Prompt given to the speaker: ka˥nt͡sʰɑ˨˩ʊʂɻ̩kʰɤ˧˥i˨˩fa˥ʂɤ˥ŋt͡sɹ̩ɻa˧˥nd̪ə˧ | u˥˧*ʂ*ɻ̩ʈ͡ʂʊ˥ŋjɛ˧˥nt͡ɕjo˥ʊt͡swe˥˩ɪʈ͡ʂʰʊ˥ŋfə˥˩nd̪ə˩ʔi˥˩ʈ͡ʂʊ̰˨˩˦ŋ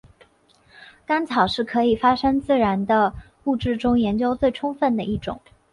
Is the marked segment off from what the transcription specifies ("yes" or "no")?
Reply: yes